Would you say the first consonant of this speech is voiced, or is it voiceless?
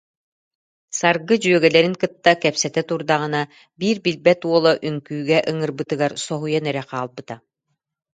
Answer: voiceless